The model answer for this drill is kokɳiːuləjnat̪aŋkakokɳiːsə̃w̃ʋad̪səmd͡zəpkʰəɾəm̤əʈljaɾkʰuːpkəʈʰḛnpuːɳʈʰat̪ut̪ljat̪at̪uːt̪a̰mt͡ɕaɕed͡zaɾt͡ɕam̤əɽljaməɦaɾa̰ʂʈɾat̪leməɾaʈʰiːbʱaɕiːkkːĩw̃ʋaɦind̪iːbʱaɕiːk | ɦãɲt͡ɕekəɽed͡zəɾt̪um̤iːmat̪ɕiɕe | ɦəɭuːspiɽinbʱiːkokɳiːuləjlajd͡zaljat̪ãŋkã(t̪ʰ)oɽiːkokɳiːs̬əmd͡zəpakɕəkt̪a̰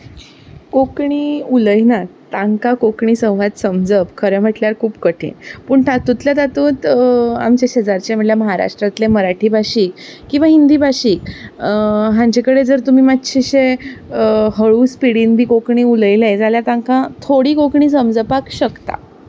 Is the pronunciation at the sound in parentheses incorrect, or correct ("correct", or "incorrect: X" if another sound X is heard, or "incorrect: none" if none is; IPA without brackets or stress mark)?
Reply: correct